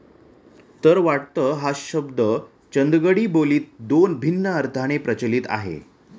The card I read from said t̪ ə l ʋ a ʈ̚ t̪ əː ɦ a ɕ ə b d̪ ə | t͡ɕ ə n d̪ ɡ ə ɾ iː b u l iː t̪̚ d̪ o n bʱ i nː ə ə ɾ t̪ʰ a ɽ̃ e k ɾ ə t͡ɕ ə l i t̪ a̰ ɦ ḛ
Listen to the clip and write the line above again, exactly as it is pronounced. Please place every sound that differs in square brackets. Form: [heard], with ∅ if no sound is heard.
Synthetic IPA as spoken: t̪ ə [ɾ] ʋ a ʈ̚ t̪ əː ɦ a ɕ ə b d̪ ə | t͡ɕ ə n d̪ ɡ ə [ɽ] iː b [o] l iː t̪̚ d̪ o n bʱ i nː ə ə ɾ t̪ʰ a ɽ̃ e [p] ɾ ə t͡ɕ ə l i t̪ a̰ ɦ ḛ